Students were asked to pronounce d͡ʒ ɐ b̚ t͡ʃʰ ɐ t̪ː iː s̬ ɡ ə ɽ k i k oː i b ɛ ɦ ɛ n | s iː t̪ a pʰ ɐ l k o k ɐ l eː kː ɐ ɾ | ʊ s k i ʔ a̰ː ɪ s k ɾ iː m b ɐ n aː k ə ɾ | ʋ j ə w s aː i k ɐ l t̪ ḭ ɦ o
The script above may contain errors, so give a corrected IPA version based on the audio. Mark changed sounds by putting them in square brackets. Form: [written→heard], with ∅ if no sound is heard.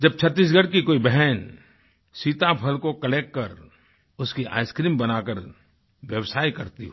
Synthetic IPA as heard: d͡ʒ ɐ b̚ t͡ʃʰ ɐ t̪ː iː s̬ ɡ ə ɽ k i k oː i b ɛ ɦ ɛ n | s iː t̪ a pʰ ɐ l k o k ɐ l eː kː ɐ ɾ | ʊ s k i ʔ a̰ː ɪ s k ɾ iː m b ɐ n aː k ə ɾ | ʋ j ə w s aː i k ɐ [l→ɾ] t̪ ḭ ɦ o